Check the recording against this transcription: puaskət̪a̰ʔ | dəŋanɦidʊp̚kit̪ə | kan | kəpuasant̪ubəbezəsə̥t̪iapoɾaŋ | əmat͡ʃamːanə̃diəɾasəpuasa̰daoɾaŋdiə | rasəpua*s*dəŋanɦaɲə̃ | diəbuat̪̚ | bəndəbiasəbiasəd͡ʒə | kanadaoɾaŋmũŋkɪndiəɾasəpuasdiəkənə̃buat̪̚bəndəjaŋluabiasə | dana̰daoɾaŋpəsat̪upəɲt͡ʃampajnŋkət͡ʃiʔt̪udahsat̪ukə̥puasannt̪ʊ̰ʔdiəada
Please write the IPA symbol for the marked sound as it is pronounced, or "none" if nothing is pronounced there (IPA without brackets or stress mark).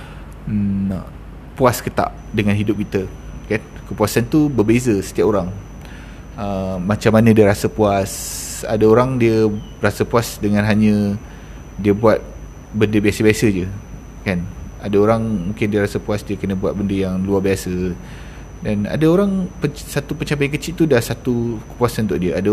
s